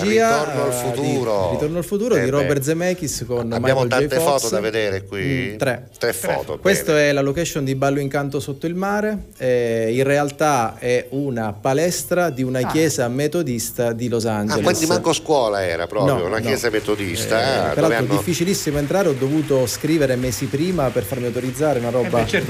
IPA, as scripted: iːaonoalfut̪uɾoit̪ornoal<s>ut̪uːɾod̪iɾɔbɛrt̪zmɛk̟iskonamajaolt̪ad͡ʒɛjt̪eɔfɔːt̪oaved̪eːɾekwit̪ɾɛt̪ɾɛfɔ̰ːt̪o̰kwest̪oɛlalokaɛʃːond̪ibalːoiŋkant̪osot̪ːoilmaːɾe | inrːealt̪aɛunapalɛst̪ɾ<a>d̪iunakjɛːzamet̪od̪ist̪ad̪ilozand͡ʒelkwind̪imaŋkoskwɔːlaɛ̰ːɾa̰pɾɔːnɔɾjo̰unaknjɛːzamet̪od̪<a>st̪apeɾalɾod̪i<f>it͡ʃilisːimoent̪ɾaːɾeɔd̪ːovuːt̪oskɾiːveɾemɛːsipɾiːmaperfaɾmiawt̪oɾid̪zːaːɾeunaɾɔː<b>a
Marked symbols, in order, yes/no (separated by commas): no, yes, no, no, yes